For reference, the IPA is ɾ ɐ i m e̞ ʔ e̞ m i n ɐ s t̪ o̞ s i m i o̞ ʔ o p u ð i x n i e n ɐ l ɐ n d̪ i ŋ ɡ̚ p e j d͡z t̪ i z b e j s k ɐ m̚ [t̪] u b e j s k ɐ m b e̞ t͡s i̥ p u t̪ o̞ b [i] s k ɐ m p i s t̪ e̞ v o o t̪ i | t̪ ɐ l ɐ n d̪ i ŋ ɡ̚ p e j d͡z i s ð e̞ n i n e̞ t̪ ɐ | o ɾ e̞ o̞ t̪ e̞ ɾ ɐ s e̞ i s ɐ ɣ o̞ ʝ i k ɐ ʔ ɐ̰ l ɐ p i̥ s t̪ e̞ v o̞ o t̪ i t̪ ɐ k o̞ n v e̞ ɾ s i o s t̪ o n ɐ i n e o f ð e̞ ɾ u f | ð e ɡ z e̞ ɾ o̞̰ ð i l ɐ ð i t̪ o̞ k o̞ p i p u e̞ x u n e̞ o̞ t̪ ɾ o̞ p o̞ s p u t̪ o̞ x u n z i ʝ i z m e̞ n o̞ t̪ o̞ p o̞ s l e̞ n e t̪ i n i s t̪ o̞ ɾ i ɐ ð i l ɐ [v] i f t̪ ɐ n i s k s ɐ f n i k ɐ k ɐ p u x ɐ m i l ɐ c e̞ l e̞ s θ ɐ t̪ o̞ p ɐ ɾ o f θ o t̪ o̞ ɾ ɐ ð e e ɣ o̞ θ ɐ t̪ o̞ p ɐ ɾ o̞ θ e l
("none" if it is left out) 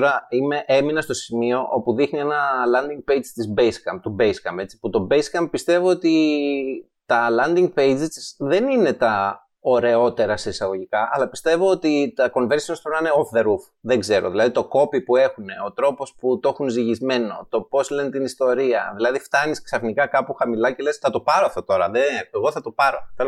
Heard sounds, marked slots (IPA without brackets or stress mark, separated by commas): t̪, e, ð